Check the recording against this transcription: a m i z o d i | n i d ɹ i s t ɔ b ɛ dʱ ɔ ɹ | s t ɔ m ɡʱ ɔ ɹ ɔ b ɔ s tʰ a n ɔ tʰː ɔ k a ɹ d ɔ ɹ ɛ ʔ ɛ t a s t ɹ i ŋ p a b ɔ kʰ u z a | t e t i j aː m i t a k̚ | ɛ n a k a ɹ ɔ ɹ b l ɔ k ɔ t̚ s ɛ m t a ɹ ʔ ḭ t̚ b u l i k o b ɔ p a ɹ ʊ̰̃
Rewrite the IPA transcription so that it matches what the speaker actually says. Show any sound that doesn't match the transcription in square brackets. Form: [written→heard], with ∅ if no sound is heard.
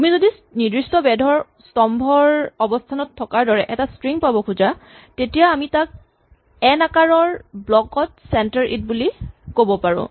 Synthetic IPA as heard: a m i z o d i | n i d ɹ i s t ɔ b ɛ dʱ ɔ ɹ | s t ɔ m [ɡʱ→bʱ] ɔ ɹ ɔ b ɔ s tʰ a n ɔ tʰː ɔ k a ɹ d ɔ ɹ ɛ ʔ ɛ t a s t ɹ i ŋ p a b ɔ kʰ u z a | t e t i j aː m i t a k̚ | ɛ n a k a ɹ ɔ ɹ b l ɔ k ɔ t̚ s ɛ [m→n] t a ɹ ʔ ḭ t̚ b u l i k o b ɔ p a ɹ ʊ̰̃